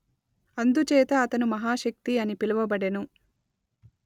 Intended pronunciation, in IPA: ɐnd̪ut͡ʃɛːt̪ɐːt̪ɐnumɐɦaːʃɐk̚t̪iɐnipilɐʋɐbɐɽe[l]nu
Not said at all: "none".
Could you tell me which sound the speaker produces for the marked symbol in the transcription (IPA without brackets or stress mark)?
none